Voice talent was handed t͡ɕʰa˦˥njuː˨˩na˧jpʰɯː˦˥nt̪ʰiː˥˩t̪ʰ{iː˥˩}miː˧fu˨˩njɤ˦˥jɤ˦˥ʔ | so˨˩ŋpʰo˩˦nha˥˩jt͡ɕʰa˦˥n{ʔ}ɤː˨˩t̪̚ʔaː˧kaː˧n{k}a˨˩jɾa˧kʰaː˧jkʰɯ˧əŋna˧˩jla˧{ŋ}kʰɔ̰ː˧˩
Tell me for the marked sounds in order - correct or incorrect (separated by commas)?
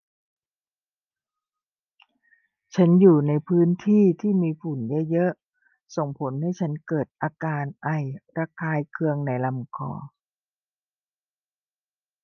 correct, incorrect, incorrect, incorrect